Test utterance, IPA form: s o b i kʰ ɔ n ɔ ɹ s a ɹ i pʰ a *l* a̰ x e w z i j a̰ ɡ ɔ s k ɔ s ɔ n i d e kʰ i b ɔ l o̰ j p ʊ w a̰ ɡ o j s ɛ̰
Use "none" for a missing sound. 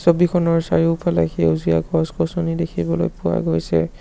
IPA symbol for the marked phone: l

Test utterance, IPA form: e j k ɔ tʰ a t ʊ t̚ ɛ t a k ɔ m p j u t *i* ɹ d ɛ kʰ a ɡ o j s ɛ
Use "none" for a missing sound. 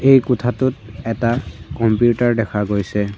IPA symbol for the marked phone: a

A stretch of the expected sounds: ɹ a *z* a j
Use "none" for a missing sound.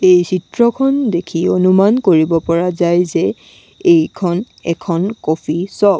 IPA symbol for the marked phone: z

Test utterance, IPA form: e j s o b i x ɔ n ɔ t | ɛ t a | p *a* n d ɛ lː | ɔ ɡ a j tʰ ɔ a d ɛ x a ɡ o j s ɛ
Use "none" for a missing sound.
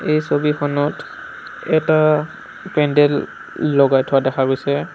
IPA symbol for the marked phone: ɛ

